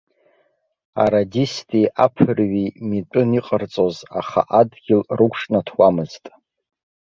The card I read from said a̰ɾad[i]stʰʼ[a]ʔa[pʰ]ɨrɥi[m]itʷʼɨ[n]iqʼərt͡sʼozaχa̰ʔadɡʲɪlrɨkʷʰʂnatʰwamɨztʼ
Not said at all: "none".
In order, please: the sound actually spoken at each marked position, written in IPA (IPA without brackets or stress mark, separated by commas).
i, i, pʰ, m, n